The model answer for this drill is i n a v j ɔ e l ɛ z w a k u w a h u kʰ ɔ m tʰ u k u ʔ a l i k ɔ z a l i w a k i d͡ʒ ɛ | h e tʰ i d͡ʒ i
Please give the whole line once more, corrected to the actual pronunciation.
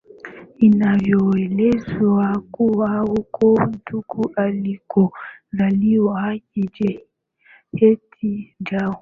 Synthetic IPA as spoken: i n a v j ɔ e l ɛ z w a k u w a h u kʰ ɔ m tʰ u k u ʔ a l i k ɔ z a l i w a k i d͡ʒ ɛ | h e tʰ i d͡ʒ a